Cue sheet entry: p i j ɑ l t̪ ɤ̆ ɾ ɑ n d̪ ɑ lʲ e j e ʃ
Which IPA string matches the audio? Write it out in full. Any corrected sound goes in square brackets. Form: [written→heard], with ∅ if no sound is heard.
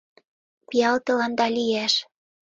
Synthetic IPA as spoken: p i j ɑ l t̪ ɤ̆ [ɾ→l] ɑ n d̪ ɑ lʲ [e→i] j [e→æ] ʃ